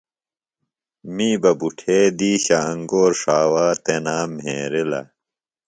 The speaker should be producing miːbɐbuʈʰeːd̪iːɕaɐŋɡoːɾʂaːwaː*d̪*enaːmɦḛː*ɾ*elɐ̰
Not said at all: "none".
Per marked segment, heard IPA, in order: t̪, ɾ

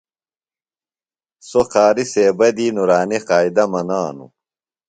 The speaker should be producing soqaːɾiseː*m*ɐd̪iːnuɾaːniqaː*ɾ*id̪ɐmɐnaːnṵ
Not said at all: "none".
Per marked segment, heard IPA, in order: b, none

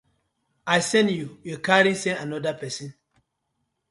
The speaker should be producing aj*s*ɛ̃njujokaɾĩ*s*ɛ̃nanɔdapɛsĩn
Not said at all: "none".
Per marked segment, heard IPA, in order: s, s

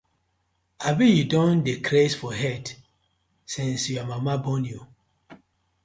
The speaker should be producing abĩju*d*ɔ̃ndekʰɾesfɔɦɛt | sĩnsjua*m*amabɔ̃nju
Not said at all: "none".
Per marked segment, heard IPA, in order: d, m

